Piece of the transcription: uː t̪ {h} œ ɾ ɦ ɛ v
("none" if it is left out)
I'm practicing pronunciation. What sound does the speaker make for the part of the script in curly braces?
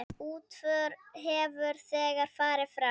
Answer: f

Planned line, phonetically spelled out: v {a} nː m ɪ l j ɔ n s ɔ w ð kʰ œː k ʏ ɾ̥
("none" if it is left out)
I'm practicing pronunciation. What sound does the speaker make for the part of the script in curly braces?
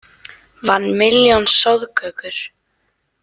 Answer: a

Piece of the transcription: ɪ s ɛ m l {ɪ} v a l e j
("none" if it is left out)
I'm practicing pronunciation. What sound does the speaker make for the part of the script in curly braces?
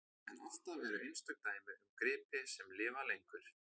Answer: ɪː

